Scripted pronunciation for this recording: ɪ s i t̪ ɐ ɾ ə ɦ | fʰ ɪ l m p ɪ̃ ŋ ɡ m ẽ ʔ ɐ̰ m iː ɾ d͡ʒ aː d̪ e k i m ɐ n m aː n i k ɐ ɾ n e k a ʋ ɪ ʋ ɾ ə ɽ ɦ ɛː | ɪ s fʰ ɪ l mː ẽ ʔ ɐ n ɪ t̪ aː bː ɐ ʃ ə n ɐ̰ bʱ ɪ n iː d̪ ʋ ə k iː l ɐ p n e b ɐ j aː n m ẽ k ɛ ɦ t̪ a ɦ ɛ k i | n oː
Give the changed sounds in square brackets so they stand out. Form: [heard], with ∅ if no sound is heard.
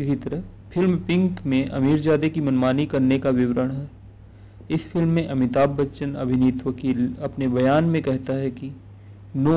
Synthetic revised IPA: ɪ s i t̪ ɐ ɾ ə ɦ | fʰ ɪ l m p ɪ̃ ŋ [k] m ẽ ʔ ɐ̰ m iː ɾ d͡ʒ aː d̪ e k i m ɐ n m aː n i k ɐ ɾ n e k a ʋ ɪ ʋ ɾ ə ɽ ɦ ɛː | ɪ s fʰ ɪ l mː ẽ ʔ ɐ [m] ɪ t̪ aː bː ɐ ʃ ə n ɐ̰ bʱ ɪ n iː [t̪] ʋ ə k iː l ɐ p n e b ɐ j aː n m ẽ k ɛ ɦ t̪ a ɦ ɛ k i | n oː